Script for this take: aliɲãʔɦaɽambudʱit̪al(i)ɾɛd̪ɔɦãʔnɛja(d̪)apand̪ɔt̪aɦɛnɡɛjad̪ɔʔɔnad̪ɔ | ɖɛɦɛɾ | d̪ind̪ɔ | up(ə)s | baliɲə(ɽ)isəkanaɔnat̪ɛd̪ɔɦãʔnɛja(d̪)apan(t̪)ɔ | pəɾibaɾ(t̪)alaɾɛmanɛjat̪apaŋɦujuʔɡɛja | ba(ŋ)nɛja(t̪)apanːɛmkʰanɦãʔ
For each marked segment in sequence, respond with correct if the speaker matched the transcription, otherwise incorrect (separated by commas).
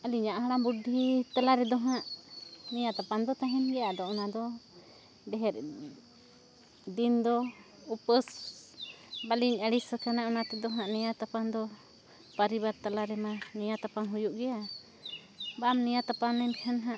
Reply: incorrect, incorrect, correct, correct, incorrect, incorrect, correct, incorrect, correct